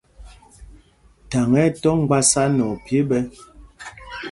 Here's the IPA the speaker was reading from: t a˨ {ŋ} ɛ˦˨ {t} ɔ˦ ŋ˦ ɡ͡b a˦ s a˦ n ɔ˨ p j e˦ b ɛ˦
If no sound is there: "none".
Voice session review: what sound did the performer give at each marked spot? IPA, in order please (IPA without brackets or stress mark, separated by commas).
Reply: ŋ, t